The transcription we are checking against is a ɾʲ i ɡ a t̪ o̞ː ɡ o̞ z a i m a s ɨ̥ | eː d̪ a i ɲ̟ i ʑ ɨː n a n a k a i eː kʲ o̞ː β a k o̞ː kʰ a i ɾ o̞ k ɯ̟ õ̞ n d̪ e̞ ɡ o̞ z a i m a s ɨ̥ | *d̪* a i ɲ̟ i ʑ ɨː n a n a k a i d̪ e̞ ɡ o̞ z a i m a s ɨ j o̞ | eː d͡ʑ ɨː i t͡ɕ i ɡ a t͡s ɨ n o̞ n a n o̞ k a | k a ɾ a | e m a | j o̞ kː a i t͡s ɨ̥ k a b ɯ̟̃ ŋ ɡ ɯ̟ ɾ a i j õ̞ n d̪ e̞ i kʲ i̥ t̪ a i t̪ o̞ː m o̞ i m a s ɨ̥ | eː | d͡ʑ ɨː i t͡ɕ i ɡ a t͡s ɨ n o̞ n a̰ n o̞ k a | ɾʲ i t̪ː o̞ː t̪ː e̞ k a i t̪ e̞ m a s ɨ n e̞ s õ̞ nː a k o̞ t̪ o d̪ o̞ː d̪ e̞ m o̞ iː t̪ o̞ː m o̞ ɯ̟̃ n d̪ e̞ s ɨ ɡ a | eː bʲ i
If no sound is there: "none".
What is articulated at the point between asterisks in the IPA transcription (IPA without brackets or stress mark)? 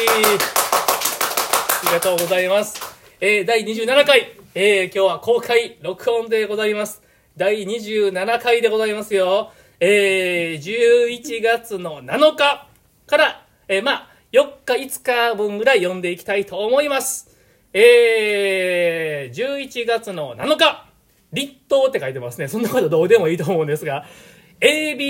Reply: d̪